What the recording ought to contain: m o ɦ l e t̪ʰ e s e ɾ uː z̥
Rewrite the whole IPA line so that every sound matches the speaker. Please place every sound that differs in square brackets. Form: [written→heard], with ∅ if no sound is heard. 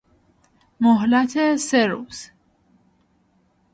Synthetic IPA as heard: m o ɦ l [e→æ] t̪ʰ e s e ɾ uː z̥

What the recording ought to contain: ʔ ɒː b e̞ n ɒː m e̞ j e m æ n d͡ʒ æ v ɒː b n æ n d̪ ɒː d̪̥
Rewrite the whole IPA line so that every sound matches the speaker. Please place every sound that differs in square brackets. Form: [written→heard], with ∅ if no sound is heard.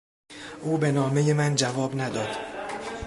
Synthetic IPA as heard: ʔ [ɒː→uː] b e̞ n ɒː m e̞ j e m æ n d͡ʒ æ v ɒː b n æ [n→∅] d̪ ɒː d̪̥

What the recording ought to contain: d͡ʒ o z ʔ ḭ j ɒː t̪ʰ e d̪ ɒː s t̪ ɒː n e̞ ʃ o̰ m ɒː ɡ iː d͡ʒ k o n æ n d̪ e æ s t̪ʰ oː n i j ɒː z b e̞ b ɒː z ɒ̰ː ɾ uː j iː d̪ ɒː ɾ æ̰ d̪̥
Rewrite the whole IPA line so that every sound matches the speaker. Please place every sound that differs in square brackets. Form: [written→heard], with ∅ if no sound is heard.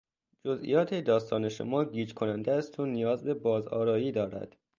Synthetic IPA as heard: d͡ʒ o z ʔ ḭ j ɒː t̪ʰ e d̪ ɒː s t̪ ɒː n e̞ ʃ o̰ m ɒː ɡ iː d͡ʒ [k→kʰ] o n æ n d̪ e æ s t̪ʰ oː n i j ɒː z b e̞ b ɒː z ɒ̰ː ɾ [uː→ɒː] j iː d̪ ɒː ɾ æ̰ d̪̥

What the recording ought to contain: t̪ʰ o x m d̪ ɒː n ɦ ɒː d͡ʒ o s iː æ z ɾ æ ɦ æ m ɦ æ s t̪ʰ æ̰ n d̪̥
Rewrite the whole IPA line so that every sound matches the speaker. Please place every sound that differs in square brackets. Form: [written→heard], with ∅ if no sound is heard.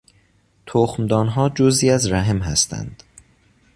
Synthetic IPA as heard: t̪ʰ o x m d̪ ɒː n ɦ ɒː d͡ʒ o [s→z] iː æ z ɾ æ ɦ [æ→e] m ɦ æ s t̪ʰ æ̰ n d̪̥

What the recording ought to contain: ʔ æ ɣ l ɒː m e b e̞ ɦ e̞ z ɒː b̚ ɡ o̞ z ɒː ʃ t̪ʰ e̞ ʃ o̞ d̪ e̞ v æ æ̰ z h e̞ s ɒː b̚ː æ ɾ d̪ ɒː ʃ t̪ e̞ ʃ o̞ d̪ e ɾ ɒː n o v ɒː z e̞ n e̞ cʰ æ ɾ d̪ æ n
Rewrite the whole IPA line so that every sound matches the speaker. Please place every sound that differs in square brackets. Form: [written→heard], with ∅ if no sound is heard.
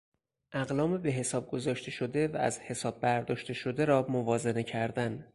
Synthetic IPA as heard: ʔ æ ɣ l ɒː m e b e̞ ɦ e̞ [z→s] ɒː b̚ ɡ o̞ z ɒː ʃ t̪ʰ e̞ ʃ o̞ d̪ e̞ v æ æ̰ z h e̞ s ɒː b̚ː æ ɾ d̪ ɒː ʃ t̪ e̞ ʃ o̞ d̪ e ɾ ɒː [n→m] o v ɒː z e̞ n e̞ cʰ æ ɾ d̪ æ n

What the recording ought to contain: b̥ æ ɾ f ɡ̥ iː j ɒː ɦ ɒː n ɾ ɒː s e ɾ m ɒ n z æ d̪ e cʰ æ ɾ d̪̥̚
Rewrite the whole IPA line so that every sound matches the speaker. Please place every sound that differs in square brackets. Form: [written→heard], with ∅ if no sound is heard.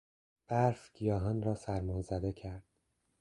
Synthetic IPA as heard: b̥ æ ɾ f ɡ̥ [iː→i] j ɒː ɦ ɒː n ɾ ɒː s [e→æ] ɾ m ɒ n z æ d̪ e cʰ æ ɾ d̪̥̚

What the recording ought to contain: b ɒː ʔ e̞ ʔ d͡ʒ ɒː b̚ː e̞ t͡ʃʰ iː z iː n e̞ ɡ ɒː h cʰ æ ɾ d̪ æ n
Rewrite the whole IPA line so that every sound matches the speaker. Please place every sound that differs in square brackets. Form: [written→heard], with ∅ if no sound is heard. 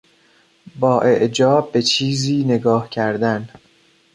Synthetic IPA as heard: b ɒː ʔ e̞ ʔ d͡ʒ ɒː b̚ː e̞ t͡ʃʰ iː z iː n e̞ ɡ ɒː h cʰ æ ɾ d̪ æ n

